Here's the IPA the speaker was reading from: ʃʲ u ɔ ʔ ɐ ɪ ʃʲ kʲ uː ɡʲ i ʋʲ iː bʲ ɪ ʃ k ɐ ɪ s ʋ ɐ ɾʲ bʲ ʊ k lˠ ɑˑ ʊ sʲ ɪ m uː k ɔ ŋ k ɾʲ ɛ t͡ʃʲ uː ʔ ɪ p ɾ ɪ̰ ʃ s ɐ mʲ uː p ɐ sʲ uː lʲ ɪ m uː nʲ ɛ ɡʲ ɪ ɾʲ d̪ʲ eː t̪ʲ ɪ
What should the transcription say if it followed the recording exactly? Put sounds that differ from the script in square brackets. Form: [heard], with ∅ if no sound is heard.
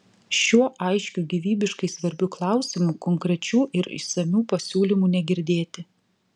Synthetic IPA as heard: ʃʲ u ɔ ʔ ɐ ɪ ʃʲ kʲ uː ɡʲ i ʋʲ iː bʲ ɪ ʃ k ɐ ɪ s ʋ ɐ ɾʲ bʲ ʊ k lˠ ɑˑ ʊ sʲ ɪ m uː k ɔ ŋ k ɾʲ ɛ t͡ʃʲ uː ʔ ɪ [∅] ɾ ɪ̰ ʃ s ɐ mʲ uː p ɐ sʲ uː lʲ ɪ m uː nʲ ɛ ɡʲ ɪ ɾʲ d̪ʲ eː t̪ʲ ɪ

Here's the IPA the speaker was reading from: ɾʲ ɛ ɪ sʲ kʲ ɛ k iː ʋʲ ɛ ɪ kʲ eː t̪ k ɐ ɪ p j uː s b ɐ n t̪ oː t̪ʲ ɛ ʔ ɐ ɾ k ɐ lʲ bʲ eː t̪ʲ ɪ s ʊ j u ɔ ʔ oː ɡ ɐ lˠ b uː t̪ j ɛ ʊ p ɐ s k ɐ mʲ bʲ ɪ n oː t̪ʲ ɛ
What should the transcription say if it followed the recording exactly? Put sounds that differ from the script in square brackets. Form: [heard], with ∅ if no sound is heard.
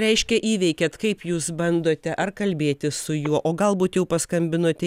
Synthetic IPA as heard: ɾʲ ɛ ɪ [ʃʲ] kʲ ɛ [ʔ] iː ʋʲ ɛ ɪ kʲ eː t̪ k ɐ ɪ p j uː s b ɐ n [d̪] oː t̪ʲ ɛ ʔ ɐ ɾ k ɐ lʲ bʲ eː t̪ʲ ɪ s ʊ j u ɔ ʔ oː ɡ ɐ lˠ b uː t̪ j ɛ ʊ p ɐ s k ɐ mʲ bʲ ɪ n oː t̪ʲ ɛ

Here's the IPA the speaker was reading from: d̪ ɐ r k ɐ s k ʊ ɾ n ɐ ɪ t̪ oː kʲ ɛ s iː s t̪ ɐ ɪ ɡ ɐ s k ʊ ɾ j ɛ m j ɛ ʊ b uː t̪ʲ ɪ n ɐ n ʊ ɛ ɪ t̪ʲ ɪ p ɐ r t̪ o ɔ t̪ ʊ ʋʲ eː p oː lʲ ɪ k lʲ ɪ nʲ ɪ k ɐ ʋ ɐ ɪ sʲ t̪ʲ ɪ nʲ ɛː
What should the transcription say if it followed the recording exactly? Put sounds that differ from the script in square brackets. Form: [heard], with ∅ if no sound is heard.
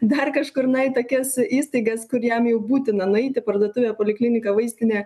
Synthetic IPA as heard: d̪ ɐ r k ɐ [ʃ] k ʊ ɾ n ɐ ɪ t̪ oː kʲ ɛ s iː s t̪ ɐ ɪ ɡ ɐ s k ʊ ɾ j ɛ m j ɛ ʊ b uː t̪ʲ ɪ n ɐ n ʊ ɛ ɪ t̪ʲ ɪ p ɐ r [d̪] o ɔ t̪ ʊ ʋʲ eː p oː lʲ ɪ k lʲ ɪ nʲ ɪ k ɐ ʋ ɐ ɪ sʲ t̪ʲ ɪ nʲ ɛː

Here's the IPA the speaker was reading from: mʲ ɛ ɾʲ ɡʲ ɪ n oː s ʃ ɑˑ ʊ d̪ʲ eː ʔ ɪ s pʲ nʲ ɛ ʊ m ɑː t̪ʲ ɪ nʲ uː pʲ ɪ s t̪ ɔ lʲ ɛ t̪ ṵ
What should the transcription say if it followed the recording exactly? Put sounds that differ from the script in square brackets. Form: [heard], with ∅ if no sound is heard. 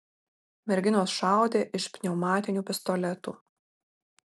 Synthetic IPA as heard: mʲ ɛ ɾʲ ɡʲ ɪ n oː s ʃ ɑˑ ʊ d̪ʲ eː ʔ ɪ [ʃ] pʲ nʲ ɛ ʊ m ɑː t̪ʲ ɪ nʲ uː pʲ ɪ s t̪ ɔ lʲ ɛ t̪ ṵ

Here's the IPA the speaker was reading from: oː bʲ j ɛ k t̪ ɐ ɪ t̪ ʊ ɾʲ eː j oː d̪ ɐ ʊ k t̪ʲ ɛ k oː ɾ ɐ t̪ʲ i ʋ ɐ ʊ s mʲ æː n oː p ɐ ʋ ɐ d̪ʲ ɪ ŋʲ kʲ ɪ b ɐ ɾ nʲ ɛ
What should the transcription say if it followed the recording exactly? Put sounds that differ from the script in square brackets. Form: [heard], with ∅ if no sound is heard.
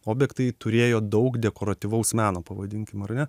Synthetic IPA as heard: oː bʲ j ɛ k t̪ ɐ ɪ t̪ ʊ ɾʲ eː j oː d̪ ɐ ʊ k [d̪ʲ] ɛ k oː ɾ ɐ t̪ʲ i ʋ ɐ ʊ s mʲ æː n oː p ɐ ʋ ɐ d̪ʲ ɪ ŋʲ kʲ ɪ [m] ɐ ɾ nʲ ɛ

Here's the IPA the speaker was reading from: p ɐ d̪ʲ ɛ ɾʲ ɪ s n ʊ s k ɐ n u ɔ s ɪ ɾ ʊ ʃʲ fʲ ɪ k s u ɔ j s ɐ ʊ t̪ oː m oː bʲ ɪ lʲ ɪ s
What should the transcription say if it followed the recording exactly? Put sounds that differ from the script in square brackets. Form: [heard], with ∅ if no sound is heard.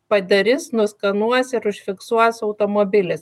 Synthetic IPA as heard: p ɐ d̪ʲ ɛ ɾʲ ɪ s n ʊ s k ɐ n u ɔ s ɪ ɾ ʊ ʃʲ fʲ ɪ k s u ɔ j s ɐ ʊ t̪ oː m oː bʲ ɪ lʲ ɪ s

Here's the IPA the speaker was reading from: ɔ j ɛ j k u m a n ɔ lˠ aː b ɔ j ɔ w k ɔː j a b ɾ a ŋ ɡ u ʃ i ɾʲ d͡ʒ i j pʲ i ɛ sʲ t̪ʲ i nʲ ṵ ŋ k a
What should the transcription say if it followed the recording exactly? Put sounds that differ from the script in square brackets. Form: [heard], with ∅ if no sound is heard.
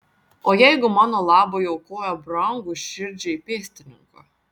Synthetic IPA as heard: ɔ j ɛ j [ɡ] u m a n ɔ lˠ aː b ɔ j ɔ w k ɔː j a b ɾ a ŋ ɡ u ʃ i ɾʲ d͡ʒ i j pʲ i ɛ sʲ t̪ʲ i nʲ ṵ ŋ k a

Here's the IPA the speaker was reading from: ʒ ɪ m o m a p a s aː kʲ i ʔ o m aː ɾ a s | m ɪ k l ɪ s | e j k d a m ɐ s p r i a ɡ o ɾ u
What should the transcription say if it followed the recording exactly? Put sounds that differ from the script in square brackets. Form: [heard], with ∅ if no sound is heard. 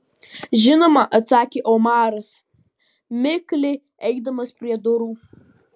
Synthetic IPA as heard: ʒ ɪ [n] o m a [ʔ] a [t͡s] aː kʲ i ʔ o m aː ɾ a s | m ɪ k l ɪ [∅] | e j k d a m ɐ s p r i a [d] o ɾ u

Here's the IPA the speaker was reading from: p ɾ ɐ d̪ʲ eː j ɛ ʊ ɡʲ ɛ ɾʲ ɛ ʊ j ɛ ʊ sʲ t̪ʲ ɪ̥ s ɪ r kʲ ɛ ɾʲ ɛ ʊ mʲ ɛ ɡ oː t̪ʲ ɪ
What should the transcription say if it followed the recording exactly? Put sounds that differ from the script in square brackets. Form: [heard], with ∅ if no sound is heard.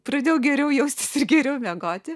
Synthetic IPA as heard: p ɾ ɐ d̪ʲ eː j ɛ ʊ ɡʲ ɛ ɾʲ ɛ ʊ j ɛ ʊ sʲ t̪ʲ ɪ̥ s ɪ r [ɡʲ] ɛ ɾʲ ɛ ʊ mʲ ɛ ɡ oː t̪ʲ ɪ

